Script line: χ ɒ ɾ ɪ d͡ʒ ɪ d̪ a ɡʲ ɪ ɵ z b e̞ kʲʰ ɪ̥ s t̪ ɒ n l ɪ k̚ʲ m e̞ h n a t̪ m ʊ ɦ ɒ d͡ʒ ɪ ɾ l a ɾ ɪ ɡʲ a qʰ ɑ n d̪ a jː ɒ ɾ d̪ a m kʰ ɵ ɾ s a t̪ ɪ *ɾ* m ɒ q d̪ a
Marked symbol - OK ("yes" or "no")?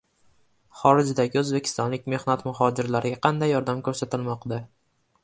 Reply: no